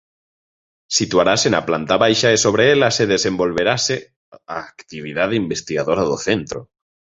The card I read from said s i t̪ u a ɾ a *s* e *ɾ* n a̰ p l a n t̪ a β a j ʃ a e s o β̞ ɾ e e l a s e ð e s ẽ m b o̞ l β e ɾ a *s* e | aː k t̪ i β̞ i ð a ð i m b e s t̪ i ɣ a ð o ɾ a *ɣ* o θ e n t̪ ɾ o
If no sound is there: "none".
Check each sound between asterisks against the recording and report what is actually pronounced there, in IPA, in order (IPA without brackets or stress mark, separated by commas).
s, none, s, ð